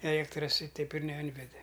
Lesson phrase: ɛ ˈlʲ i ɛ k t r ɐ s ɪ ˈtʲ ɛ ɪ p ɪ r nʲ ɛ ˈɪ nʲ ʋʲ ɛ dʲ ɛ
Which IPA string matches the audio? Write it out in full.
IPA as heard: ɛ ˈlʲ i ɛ k t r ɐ s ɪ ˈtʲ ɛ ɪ p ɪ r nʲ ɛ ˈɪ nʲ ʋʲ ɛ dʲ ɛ